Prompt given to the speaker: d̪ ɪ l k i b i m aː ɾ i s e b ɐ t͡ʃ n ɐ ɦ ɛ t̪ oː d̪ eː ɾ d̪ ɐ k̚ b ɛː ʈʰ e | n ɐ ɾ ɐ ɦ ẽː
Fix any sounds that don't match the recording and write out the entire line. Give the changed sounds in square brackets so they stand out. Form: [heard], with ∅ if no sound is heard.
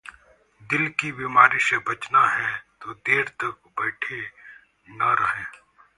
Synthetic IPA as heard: d̪ ɪ l k i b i m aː ɾ i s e b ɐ t͡ʃ n [a] ɦ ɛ t̪ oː d̪ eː ɾ [t̪] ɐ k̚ b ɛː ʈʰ e | n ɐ ɾ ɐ ɦ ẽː